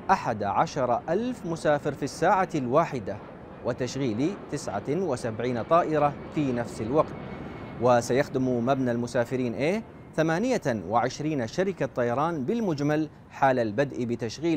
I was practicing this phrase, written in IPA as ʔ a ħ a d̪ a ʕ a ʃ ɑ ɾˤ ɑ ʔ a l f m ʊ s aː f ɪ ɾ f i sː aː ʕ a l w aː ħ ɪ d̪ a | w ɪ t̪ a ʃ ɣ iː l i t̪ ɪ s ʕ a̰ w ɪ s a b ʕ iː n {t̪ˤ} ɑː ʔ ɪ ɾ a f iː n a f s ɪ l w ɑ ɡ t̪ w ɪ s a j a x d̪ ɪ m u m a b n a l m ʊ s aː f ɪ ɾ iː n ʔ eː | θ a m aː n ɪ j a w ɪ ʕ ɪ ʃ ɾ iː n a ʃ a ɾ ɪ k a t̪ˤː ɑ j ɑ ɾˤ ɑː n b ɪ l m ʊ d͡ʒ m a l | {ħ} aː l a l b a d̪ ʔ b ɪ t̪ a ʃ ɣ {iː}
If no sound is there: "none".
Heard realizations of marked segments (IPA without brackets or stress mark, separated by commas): t̪ˤ, ħ, iː